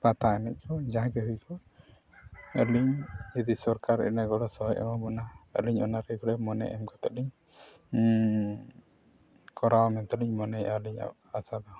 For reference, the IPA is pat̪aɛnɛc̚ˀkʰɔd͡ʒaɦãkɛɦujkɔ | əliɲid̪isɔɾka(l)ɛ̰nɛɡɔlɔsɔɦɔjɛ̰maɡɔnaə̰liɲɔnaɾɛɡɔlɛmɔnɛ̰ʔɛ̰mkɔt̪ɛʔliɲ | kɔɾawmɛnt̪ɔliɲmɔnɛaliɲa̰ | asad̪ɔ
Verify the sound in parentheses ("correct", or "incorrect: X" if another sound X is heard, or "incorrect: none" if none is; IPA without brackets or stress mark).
incorrect: ɾ